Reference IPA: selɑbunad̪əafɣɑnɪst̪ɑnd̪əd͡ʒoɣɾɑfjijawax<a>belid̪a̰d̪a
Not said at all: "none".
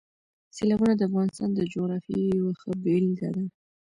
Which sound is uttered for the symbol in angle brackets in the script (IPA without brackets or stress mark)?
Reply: ə